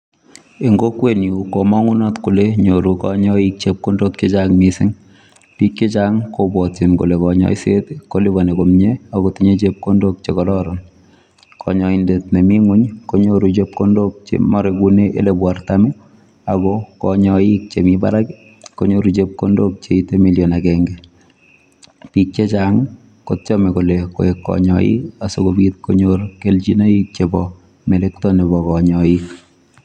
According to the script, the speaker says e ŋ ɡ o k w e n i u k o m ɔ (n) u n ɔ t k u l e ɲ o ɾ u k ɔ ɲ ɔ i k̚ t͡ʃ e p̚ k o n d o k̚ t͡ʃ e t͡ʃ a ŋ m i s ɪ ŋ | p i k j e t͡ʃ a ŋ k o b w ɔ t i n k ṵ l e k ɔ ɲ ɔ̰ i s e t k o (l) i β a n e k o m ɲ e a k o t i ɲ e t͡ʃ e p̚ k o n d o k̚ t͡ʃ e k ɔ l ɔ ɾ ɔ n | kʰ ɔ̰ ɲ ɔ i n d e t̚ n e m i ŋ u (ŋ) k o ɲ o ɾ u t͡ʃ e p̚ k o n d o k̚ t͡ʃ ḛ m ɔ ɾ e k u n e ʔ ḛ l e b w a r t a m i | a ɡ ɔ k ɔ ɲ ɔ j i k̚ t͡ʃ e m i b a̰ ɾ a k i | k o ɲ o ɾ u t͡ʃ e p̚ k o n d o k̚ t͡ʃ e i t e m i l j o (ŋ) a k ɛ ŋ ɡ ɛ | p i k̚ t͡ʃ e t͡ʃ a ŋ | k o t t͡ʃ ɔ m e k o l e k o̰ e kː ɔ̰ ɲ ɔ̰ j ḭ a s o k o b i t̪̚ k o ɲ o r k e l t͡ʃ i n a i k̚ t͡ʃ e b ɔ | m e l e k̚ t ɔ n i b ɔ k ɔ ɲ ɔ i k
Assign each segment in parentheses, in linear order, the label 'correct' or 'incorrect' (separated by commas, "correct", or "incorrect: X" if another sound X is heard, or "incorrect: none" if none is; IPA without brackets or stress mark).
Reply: incorrect: ŋ, correct, incorrect: ɲ, incorrect: n